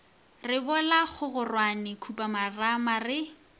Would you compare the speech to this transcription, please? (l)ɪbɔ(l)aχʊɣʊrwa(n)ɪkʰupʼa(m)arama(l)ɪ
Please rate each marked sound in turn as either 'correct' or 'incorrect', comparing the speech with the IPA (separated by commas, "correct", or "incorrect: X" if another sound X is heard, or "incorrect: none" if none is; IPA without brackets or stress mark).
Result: incorrect: r, correct, correct, correct, incorrect: r